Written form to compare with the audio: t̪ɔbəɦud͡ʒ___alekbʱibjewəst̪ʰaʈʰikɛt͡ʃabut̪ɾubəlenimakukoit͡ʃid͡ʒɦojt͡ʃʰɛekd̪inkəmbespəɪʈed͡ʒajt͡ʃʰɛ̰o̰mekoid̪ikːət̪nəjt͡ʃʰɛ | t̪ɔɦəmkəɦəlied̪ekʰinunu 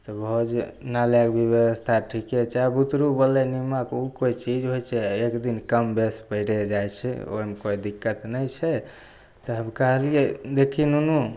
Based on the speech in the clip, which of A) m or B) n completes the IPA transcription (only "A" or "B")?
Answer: B